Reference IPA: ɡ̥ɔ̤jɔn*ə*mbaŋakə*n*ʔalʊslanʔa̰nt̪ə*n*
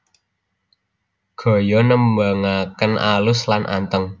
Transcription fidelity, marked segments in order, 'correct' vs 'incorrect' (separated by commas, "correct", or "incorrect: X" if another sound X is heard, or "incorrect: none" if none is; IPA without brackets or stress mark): correct, correct, incorrect: ŋ